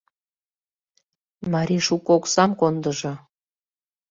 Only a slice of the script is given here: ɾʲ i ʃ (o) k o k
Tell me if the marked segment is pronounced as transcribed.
no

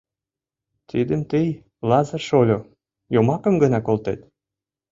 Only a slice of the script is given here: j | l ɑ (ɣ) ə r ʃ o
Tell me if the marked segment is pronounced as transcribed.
no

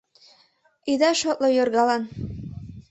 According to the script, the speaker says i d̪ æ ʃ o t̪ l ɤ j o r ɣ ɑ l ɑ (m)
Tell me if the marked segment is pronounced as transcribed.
no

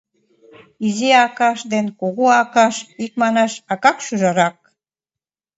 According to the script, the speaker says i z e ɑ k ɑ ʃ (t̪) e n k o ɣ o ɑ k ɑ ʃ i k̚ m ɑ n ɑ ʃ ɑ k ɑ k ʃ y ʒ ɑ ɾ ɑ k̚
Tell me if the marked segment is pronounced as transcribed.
no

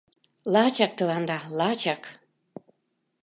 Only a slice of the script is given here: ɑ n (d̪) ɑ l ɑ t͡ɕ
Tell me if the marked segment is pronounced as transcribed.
yes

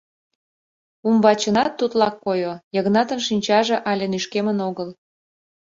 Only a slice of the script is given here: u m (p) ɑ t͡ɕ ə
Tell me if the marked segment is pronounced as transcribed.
no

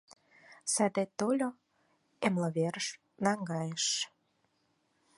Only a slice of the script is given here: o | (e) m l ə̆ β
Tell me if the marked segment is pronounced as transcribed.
yes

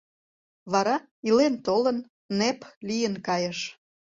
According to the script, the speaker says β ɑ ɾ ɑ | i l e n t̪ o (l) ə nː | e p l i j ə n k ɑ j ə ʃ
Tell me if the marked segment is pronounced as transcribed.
yes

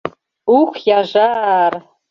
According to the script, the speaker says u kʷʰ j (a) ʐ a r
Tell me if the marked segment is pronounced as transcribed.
yes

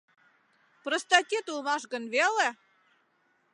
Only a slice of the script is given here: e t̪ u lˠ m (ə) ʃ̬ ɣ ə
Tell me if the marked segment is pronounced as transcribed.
no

